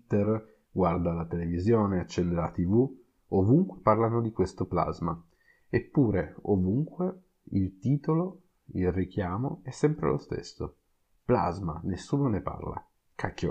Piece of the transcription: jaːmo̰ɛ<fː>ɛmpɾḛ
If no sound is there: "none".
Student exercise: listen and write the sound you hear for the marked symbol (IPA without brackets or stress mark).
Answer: sː